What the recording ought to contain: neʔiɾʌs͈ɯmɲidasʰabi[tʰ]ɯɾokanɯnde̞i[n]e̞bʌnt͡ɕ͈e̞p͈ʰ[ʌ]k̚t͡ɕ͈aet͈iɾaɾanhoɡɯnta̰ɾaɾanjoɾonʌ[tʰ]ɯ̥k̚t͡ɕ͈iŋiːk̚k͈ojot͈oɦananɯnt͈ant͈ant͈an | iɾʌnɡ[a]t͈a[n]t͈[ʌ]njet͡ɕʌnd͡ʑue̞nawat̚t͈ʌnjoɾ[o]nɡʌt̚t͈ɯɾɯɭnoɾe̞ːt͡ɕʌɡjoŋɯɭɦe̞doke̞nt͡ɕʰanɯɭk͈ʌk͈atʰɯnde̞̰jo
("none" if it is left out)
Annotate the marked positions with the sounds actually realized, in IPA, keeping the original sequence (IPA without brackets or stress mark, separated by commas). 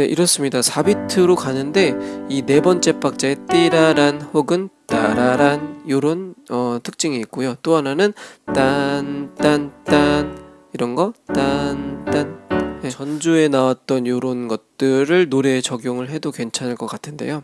tʰ, n, a, tʰ, ʌ, n, a, o